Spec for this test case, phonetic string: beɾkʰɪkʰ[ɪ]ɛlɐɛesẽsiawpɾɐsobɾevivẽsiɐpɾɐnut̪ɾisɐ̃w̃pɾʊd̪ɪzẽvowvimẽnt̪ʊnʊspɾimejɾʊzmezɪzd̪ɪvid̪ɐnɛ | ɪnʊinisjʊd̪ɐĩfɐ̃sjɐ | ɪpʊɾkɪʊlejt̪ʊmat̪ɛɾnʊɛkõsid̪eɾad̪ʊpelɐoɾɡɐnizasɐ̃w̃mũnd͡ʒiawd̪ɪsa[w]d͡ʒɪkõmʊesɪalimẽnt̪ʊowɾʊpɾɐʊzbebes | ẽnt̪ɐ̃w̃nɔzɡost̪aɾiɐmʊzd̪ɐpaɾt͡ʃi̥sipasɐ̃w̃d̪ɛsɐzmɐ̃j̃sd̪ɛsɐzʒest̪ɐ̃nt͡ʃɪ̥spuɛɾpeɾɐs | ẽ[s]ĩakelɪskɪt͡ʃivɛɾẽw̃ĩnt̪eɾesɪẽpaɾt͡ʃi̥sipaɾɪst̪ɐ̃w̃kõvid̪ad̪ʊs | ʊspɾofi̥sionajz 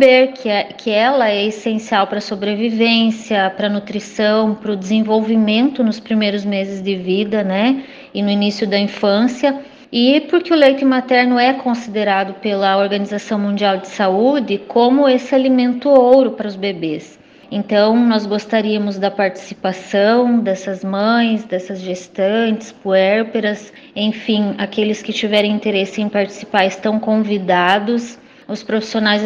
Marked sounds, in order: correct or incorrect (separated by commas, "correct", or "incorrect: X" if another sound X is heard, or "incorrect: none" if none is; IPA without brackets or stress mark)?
correct, incorrect: u, incorrect: f